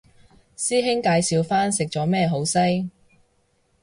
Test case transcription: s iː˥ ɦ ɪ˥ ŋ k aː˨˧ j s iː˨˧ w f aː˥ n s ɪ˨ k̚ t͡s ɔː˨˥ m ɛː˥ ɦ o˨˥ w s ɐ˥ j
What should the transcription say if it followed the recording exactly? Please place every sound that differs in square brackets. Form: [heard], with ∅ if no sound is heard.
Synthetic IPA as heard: s iː˥ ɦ ɪ˥ ŋ k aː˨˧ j s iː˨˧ w f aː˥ n s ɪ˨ k̚ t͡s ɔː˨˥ m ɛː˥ ɦ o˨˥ w s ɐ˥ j